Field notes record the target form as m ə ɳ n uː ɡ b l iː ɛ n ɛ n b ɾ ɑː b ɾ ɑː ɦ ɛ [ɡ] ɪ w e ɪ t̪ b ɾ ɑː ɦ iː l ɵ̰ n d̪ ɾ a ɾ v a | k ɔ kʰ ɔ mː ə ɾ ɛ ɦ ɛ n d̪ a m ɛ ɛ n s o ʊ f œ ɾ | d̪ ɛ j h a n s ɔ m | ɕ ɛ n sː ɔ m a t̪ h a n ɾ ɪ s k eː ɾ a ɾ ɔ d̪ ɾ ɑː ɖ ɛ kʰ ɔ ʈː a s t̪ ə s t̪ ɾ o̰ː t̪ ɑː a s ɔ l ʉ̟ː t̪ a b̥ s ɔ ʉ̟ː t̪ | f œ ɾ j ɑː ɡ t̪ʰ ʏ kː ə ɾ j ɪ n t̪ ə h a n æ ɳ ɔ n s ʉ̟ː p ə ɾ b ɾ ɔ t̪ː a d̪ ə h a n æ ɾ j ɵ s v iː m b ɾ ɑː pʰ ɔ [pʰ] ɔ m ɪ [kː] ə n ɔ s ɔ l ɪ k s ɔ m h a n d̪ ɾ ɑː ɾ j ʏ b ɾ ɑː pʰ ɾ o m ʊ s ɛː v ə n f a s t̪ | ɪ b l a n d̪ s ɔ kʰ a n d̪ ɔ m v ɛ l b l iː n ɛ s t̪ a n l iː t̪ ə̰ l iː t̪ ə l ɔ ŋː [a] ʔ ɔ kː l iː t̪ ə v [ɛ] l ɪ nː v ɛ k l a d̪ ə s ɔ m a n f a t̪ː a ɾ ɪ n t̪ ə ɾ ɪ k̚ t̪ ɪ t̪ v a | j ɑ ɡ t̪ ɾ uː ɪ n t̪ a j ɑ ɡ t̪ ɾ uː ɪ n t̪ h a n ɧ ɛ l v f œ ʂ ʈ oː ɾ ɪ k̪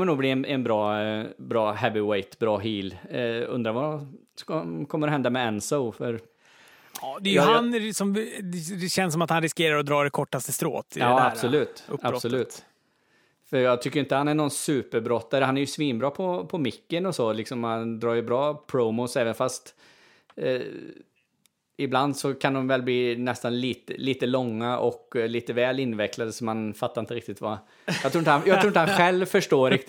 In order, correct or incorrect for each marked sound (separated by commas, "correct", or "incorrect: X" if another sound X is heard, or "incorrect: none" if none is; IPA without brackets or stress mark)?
incorrect: b, correct, correct, correct, incorrect: ɛː